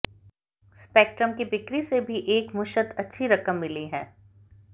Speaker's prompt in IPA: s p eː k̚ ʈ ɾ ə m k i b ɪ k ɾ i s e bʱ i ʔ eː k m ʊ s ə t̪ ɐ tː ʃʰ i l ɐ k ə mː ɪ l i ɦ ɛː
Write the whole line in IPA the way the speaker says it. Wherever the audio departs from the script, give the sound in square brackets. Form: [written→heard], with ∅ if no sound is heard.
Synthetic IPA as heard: s p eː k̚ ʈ ɾ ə m k i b ɪ k ɾ i s e bʱ i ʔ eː k m ʊ [s→ʃ] ə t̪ ɐ tː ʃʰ i [l→ɾ] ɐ k ə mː ɪ l i ɦ ɛː